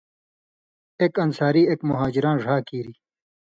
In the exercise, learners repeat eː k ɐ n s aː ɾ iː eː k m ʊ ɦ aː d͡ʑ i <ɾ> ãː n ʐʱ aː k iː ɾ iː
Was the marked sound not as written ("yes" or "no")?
no